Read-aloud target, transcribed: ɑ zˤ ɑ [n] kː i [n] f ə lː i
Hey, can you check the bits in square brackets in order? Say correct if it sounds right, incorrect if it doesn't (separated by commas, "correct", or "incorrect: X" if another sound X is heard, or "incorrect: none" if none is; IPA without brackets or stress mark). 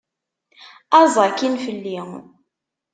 incorrect: none, correct